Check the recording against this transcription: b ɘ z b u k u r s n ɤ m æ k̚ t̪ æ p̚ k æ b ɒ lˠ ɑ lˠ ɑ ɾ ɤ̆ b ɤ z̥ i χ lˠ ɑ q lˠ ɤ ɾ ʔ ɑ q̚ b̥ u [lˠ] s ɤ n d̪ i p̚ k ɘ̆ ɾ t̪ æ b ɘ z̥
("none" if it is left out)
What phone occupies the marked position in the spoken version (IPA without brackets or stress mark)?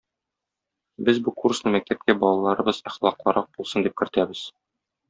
lˠ